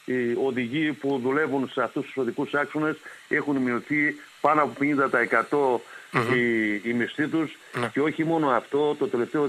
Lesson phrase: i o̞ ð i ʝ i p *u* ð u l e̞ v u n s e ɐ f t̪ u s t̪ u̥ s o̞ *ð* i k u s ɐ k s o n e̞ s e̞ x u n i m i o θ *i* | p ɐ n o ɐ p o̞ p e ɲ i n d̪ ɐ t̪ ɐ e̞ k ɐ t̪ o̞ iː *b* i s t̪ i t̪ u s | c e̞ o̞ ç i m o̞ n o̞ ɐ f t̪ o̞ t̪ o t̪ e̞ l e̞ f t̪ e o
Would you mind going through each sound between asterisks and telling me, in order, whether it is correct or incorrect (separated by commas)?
correct, correct, correct, incorrect